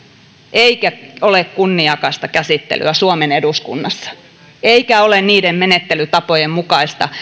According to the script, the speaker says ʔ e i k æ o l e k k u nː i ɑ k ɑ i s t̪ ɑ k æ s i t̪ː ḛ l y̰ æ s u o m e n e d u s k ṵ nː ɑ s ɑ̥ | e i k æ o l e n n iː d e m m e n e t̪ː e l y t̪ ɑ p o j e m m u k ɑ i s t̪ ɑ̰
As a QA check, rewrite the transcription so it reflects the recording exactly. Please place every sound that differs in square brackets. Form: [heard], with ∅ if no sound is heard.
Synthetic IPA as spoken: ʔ e i k æ o l e k k u nː i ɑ k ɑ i s t̪ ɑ k æ s i t̪ː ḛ l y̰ æ s u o m e n e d u s k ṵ nː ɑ [sː] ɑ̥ | e i k æ o l e n n iː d e m m e n e t̪ː e l y t̪ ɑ p o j e m m u k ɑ i s t̪ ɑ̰